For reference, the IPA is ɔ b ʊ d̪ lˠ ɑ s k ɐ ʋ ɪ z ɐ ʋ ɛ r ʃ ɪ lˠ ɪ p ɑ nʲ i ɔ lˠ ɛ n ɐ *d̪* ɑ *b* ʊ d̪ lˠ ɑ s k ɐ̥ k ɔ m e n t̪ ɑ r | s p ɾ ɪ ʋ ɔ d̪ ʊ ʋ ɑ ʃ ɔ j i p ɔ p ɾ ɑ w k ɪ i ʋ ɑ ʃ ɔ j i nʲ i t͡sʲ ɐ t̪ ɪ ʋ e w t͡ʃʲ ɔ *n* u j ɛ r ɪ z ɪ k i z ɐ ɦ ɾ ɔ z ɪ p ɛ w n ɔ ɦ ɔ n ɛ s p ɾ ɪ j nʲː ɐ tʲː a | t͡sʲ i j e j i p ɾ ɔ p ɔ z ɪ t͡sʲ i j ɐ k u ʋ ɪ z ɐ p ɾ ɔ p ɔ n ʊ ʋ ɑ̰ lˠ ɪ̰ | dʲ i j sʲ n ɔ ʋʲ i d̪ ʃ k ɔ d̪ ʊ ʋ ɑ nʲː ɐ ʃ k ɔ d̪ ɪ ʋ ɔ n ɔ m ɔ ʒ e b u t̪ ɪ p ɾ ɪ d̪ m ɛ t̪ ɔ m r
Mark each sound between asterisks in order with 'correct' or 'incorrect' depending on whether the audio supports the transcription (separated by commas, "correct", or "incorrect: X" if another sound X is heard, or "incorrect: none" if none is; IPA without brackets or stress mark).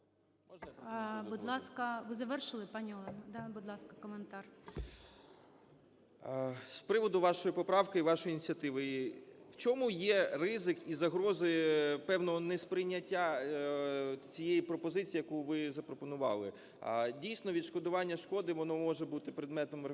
correct, correct, incorrect: m